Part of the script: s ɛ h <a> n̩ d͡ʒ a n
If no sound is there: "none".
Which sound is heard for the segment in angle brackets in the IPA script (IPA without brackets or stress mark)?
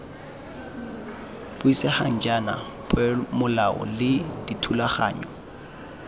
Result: a